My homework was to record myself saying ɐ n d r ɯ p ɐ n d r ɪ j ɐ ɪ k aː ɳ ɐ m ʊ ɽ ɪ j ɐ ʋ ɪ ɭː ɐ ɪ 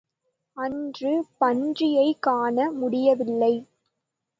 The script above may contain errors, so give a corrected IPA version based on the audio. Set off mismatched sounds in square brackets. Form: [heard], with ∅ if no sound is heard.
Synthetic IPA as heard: ɐ n d r ɯ p ɐ n d r ɪ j ɐ ɪ k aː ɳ ɐ m ʊ ɽ ɪ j ɐ ʋ ɪ [lː] ɐ ɪ